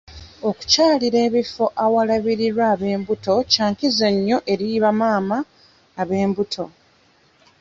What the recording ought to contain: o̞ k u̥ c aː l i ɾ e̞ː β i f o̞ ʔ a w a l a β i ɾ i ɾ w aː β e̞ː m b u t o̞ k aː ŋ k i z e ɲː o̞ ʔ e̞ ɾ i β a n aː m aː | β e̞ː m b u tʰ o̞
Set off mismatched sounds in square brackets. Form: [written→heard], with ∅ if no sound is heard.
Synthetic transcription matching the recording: o̞ k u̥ c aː l i ɾ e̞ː β i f o̞ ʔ a w a l a β i ɾ i ɾ w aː β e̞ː m b u t o̞ [k→c] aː ŋ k i z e ɲː o̞ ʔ e̞ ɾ i β a [n→m] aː m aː | β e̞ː m b u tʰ o̞